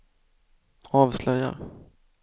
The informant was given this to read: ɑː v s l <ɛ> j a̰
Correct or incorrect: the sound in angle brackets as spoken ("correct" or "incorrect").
incorrect